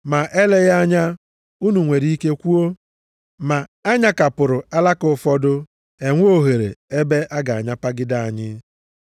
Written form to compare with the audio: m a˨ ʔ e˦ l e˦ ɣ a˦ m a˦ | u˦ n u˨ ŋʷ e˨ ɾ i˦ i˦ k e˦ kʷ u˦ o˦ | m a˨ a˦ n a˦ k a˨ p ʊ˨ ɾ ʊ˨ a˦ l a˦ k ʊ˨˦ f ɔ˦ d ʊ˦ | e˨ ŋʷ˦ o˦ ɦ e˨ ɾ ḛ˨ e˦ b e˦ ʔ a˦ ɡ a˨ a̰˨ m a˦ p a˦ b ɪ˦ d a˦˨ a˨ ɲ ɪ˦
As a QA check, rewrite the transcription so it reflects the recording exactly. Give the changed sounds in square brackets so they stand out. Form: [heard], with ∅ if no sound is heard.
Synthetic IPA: m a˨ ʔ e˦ l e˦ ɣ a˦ [ɲ] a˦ | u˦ n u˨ ŋʷ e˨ ɾ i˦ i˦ k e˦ kʷ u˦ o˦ | m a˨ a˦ [ɲ] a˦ k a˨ p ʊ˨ ɾ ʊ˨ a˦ l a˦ k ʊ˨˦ f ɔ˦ d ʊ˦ | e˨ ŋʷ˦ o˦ ɦ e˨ ɾ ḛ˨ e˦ b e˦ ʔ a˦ ɡ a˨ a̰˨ [ɲ] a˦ p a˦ [ɡ] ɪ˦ d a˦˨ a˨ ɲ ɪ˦